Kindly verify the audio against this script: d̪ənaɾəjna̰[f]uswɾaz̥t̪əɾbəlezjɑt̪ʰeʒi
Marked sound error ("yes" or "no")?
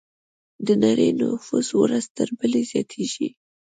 no